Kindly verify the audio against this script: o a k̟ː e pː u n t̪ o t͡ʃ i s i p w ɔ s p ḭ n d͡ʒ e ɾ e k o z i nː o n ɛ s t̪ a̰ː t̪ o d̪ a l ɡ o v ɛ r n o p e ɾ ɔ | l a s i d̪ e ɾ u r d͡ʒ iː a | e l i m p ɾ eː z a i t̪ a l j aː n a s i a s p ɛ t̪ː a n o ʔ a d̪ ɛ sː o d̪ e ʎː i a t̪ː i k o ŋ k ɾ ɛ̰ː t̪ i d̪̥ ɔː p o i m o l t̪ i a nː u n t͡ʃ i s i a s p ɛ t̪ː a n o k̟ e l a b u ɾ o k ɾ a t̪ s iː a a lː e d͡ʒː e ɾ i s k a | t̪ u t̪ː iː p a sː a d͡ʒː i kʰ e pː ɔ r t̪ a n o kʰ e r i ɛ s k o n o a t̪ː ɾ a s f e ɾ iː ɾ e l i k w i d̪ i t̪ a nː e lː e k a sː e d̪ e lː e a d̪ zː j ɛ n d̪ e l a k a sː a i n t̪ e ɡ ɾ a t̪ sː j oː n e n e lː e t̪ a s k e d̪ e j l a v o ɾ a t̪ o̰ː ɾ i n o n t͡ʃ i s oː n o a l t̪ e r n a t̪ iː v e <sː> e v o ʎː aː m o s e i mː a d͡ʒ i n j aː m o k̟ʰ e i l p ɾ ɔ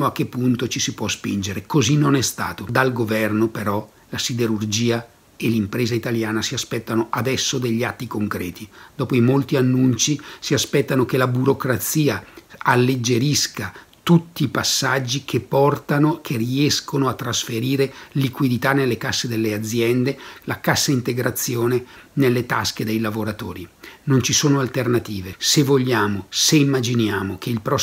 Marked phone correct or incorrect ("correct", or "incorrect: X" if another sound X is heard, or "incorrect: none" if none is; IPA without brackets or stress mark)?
incorrect: s